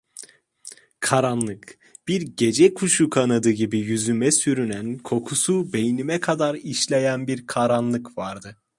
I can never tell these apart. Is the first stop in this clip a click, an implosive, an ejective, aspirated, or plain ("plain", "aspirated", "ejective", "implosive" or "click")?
aspirated